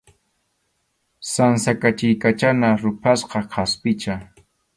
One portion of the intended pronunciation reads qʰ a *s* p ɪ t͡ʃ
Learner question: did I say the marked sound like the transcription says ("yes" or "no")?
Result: yes